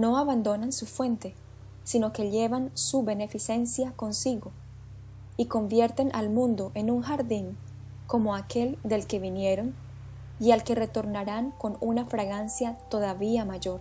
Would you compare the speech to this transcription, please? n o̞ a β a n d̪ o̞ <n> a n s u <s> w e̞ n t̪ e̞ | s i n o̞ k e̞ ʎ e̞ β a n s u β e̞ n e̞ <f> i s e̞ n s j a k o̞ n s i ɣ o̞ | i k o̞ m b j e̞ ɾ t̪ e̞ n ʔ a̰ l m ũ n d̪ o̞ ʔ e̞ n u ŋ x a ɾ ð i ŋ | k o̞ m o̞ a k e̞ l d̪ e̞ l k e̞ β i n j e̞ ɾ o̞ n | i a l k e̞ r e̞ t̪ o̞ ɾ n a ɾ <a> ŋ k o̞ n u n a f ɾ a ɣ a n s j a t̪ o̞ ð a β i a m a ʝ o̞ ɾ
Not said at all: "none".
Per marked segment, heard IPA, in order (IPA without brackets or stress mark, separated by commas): n, f, f, a